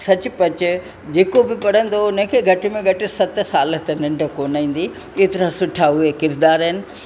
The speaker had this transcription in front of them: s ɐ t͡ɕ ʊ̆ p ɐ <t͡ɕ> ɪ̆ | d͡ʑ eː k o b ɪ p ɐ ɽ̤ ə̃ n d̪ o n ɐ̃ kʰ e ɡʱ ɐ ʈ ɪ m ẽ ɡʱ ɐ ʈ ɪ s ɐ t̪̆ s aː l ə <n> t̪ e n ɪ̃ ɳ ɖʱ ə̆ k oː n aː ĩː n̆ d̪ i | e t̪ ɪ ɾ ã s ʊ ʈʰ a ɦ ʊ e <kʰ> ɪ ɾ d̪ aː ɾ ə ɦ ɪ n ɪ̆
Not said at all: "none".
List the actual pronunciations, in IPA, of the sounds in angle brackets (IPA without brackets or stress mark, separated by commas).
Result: t͡ɕ, none, k